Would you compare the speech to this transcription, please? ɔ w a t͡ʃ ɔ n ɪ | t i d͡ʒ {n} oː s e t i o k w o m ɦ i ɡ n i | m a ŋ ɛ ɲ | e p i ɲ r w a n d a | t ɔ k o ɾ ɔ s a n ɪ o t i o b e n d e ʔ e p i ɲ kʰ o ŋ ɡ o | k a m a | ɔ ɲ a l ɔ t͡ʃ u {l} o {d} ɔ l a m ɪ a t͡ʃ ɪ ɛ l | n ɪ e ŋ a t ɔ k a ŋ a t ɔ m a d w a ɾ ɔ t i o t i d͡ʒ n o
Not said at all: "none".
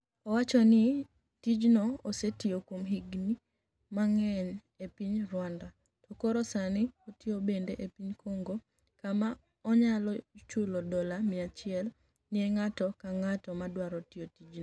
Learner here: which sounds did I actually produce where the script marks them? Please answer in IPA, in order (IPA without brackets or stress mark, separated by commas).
n, l, d